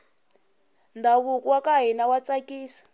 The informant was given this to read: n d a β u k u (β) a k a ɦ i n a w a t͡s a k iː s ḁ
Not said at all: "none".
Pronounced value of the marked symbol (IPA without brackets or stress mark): w